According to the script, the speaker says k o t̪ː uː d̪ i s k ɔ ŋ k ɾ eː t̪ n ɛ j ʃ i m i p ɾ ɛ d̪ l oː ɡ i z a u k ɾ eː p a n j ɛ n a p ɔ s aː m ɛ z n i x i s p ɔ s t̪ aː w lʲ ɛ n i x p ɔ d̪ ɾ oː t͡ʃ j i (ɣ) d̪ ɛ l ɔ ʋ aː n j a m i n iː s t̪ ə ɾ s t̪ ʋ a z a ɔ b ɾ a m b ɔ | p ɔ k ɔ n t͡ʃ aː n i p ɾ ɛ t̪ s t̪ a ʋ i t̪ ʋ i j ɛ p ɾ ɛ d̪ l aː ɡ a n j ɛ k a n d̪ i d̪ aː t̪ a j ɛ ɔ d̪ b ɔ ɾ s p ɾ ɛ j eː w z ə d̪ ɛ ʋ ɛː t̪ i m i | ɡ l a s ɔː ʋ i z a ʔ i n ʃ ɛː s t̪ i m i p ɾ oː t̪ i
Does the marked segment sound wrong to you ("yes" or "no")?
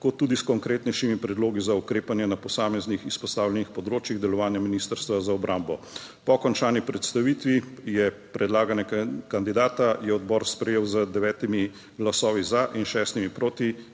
no